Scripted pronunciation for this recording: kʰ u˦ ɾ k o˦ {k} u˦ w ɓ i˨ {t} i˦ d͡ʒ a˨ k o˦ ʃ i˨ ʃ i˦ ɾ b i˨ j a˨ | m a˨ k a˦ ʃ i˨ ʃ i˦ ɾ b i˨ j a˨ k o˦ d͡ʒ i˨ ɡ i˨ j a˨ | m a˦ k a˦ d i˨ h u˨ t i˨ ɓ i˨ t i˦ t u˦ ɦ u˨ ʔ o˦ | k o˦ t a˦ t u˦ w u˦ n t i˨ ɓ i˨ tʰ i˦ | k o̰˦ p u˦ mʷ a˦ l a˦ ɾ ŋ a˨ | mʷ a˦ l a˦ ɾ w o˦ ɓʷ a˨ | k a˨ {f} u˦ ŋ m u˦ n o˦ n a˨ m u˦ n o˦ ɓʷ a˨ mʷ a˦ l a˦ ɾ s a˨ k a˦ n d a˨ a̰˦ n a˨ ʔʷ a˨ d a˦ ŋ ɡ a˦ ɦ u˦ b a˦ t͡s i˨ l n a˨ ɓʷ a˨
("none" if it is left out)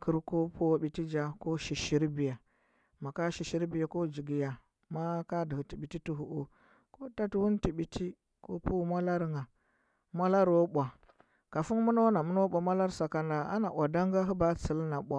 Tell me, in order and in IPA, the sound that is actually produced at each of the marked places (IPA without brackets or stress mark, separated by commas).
p, t, f